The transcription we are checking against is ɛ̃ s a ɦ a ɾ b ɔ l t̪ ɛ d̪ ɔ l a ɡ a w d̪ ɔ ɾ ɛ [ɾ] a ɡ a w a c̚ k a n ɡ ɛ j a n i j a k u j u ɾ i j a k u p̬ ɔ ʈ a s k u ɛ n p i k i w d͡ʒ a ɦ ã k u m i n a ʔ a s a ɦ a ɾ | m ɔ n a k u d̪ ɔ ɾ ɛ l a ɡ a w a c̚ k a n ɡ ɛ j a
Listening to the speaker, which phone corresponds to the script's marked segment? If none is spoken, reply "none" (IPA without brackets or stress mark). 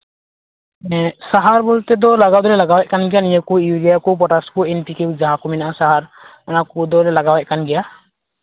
l